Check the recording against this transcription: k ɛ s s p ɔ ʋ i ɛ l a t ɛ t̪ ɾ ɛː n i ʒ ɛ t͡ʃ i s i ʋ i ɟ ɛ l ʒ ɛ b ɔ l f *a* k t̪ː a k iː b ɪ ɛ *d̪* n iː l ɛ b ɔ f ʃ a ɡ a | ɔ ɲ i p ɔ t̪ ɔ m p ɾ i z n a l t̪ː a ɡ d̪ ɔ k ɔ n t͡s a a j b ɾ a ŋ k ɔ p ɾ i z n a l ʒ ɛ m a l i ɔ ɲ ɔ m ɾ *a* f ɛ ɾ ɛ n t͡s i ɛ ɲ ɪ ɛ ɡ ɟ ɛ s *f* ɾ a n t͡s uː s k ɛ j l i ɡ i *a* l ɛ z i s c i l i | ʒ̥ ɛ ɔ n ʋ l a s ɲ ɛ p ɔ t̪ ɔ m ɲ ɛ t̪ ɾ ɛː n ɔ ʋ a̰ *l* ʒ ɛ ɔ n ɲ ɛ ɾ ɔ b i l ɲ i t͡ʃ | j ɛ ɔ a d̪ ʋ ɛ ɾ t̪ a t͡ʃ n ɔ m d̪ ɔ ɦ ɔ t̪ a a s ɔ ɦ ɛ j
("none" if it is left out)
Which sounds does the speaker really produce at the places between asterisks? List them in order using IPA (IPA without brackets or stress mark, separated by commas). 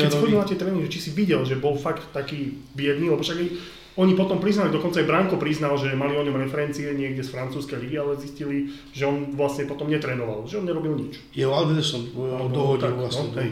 a, d̪, ɛ, f, a, l